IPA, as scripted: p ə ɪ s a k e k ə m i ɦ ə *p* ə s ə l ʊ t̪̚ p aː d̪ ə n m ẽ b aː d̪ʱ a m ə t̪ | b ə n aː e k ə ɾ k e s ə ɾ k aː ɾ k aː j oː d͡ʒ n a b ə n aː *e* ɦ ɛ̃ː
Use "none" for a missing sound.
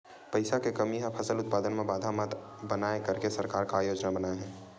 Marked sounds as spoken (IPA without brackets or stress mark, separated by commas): pʰ, e